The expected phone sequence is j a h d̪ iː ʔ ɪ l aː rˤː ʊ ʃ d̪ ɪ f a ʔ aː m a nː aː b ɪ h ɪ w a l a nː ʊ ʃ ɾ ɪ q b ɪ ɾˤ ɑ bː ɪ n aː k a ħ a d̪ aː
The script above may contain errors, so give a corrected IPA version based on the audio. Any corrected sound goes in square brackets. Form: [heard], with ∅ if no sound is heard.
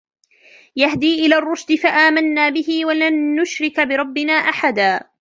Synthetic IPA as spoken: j a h d̪ iː ʔ ɪ l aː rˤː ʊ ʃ d̪ ɪ f a ʔ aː m a nː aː b ɪ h ɪ w a l a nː ʊ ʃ ɾ ɪ [k] b ɪ ɾˤ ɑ bː ɪ n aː [ʔ] a ħ a d̪ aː